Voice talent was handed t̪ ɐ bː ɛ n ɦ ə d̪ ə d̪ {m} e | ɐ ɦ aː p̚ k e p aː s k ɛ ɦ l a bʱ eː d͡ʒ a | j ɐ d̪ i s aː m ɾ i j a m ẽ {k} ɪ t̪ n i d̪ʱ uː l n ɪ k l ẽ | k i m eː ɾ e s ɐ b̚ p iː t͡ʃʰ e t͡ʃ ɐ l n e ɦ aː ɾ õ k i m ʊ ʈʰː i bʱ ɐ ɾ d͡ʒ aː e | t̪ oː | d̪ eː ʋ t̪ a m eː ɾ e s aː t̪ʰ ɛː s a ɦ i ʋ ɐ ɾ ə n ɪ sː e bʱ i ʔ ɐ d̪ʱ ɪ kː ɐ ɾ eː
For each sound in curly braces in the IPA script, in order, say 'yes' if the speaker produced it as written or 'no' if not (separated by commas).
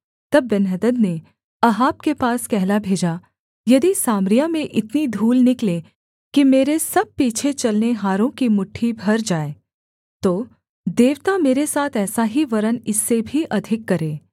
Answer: no, no